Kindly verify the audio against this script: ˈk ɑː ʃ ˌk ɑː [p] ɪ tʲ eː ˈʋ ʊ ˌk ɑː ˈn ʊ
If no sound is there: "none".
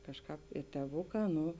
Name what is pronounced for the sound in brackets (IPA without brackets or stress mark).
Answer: p